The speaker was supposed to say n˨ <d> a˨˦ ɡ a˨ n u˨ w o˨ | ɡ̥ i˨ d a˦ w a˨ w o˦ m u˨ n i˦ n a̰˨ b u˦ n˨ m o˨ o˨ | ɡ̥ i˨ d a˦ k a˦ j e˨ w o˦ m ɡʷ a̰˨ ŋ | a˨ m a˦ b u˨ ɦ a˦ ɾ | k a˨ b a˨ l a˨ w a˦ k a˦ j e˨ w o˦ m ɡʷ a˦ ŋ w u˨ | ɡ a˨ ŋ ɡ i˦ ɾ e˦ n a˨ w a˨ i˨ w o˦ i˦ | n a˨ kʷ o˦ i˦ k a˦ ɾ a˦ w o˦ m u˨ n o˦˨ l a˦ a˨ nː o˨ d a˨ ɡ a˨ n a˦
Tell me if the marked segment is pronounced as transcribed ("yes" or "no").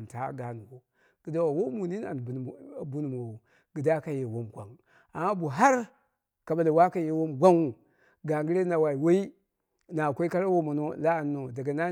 no